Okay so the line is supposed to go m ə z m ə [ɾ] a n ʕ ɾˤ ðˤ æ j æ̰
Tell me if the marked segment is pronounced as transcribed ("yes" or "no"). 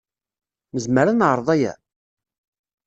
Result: yes